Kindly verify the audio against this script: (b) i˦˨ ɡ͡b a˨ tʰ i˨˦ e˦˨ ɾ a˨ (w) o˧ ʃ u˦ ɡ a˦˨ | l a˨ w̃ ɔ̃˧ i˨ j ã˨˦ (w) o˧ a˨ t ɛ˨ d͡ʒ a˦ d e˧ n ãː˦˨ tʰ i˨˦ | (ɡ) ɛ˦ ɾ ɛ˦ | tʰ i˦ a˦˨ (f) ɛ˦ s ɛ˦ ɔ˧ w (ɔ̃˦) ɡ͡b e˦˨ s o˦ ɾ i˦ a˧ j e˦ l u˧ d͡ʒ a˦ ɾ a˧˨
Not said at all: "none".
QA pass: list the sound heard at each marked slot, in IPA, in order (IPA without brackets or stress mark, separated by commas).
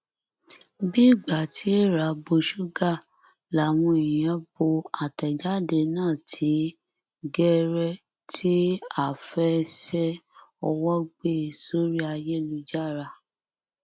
b, b, b, ɡ, f, ɔ˦